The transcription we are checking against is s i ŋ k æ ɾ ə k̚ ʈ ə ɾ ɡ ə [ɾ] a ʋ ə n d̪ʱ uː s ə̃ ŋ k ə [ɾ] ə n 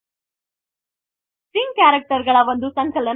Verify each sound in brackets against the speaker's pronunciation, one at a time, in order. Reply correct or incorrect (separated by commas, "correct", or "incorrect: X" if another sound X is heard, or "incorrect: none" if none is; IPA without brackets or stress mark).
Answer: incorrect: ɭ, incorrect: l